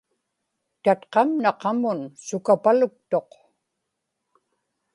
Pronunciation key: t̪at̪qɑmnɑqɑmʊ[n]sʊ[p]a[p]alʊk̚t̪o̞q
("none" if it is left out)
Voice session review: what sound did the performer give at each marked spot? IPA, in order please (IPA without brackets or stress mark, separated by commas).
n, k, p